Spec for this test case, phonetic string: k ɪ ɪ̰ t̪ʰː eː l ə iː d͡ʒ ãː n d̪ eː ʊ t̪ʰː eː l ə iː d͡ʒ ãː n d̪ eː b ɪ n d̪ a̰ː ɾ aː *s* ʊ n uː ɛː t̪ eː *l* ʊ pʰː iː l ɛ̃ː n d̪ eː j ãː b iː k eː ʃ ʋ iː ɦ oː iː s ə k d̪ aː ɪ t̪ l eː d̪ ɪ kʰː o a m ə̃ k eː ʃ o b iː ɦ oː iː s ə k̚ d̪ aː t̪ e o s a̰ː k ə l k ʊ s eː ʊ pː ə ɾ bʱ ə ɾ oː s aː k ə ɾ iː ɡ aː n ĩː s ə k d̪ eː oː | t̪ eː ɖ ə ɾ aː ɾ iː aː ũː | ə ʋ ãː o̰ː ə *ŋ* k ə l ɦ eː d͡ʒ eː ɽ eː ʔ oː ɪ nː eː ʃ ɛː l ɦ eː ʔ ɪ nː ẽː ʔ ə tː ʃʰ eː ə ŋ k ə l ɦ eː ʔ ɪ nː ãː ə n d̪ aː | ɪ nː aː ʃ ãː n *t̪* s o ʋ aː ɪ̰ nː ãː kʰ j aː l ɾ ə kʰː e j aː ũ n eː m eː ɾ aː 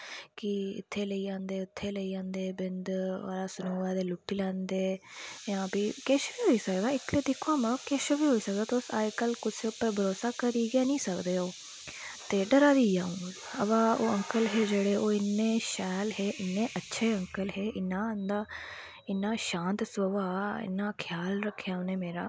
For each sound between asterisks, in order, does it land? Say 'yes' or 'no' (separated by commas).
yes, yes, yes, yes